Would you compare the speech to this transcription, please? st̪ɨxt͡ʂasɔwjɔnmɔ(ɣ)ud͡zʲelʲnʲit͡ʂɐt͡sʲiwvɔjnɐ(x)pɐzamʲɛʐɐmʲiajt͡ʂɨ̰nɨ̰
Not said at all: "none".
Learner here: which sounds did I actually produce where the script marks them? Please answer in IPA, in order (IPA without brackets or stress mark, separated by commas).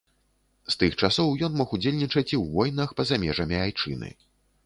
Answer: x, x